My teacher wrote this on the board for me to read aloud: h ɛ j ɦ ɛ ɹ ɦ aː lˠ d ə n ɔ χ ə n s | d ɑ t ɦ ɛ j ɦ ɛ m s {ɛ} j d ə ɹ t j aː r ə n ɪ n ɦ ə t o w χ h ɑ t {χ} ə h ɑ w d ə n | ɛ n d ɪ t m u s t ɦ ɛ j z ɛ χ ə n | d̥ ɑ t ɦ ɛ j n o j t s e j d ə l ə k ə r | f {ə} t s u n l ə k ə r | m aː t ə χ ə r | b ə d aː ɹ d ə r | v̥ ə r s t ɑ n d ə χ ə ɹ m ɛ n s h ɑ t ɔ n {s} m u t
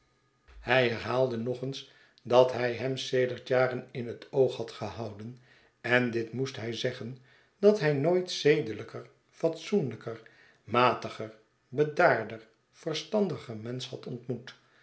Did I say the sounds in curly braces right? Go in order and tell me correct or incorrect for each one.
incorrect: e, correct, incorrect: ɑ, incorrect: t

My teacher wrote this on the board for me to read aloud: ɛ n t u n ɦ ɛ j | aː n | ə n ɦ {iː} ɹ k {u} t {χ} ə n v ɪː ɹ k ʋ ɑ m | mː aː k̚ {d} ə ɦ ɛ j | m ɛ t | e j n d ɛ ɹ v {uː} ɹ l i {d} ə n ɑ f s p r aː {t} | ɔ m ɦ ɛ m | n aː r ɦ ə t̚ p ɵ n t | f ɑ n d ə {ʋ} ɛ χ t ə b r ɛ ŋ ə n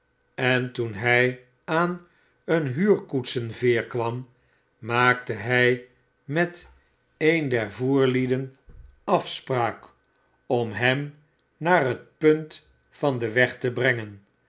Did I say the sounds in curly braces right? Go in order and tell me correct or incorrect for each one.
incorrect: yː, correct, incorrect: s, incorrect: t, correct, correct, incorrect: k, correct

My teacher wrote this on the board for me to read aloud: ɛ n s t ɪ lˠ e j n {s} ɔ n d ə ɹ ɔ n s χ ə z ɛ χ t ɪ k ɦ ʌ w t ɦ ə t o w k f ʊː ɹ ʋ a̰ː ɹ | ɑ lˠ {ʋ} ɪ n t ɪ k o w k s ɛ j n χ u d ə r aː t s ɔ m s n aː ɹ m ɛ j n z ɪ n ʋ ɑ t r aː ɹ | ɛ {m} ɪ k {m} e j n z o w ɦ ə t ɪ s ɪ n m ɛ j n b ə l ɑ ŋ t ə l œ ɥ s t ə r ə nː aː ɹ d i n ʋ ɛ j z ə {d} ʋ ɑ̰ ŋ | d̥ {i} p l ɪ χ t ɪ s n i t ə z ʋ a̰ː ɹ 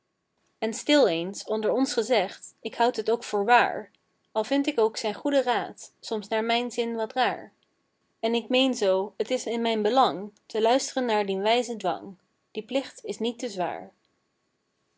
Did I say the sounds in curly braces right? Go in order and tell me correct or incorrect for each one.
correct, incorrect: v, incorrect: n, correct, correct, correct

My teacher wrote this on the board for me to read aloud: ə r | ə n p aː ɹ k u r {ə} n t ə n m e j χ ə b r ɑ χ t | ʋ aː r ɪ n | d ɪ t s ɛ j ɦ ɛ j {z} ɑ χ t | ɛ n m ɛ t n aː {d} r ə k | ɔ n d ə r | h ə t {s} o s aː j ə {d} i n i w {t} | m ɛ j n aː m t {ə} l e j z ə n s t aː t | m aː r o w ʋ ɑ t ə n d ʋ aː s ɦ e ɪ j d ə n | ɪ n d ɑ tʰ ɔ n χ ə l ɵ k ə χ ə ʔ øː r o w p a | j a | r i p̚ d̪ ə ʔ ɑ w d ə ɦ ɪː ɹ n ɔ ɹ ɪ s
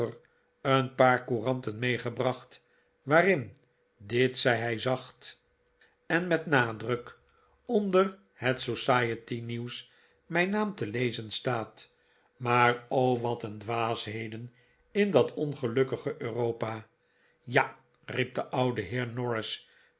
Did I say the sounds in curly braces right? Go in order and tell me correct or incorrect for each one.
incorrect: ɑ, correct, correct, correct, incorrect: t, incorrect: s, correct

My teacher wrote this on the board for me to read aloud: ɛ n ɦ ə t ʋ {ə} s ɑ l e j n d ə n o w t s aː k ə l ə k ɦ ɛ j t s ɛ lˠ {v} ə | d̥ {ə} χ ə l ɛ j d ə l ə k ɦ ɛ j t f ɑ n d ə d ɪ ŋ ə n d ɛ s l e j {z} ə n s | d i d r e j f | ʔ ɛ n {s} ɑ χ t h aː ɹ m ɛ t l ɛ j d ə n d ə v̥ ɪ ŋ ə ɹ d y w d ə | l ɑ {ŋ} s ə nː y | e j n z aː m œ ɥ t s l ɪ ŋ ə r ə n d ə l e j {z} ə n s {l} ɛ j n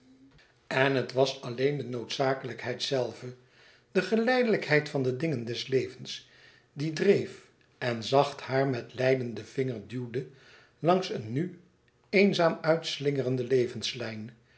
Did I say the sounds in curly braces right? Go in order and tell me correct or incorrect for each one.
incorrect: ɑ, correct, correct, incorrect: v, incorrect: z, correct, incorrect: v, correct

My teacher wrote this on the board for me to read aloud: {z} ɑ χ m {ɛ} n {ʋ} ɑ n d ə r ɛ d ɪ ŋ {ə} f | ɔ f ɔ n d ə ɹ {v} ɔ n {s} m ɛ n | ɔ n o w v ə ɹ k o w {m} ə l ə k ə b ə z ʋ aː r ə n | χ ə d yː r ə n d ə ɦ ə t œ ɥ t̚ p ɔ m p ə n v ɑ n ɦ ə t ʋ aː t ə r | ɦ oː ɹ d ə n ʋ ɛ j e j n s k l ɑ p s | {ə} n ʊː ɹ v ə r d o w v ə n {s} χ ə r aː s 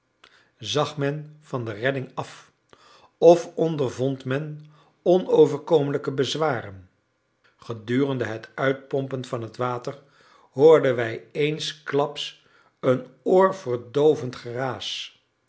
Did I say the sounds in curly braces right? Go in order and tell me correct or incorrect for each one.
correct, correct, incorrect: v, incorrect: ɑ, correct, incorrect: t, correct, correct, incorrect: t

